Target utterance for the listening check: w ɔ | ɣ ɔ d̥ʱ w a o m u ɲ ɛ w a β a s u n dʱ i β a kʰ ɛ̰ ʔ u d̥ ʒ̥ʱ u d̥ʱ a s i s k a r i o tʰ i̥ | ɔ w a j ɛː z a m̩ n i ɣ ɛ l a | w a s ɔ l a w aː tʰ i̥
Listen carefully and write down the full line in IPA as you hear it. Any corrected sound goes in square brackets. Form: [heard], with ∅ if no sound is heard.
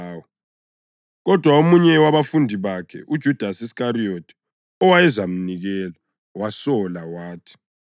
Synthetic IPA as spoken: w ɔ | ɣ ɔ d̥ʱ w a o m u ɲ ɛ w a β a [f] u n dʱ i β a kʰ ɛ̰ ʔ u d̥ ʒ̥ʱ u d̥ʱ a s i s k a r i o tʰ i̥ | ɔ w a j [ɛ] z a m̩ n i ɣ ɛ l a | w a s ɔ l a w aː tʰ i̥